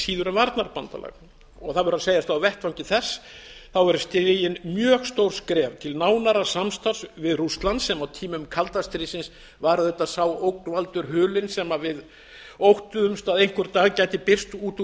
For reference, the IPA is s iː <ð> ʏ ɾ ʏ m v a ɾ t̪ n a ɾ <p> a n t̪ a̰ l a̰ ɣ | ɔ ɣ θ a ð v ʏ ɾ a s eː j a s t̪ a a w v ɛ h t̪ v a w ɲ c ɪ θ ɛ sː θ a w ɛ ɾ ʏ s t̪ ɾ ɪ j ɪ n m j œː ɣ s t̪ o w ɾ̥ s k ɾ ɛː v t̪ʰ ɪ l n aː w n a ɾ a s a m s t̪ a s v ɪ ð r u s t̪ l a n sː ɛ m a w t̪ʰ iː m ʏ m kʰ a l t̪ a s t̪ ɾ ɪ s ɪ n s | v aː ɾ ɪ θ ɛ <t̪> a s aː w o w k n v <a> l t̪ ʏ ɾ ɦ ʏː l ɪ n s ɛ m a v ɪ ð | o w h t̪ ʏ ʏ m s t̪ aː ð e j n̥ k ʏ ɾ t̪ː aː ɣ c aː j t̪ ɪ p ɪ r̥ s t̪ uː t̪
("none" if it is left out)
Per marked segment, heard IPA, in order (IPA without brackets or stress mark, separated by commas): ð, p, t̪, a